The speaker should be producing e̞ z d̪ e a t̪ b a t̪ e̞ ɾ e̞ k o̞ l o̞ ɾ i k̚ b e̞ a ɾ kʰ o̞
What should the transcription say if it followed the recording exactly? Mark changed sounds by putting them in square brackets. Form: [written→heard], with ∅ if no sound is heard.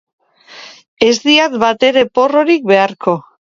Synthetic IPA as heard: e̞ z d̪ [e→i] a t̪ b a t̪ e̞ ɾ e̞ [k→p] o̞ [l→r] o̞ ɾ i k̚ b e̞ a ɾ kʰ o̞